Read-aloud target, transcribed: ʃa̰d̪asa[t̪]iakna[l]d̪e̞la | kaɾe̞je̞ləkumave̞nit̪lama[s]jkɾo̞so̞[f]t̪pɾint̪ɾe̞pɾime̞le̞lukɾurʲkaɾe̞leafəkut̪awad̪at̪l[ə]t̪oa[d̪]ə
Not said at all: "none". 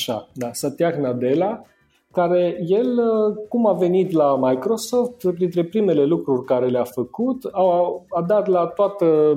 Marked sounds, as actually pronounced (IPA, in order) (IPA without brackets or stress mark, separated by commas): t̪, none, none, f, a, t̪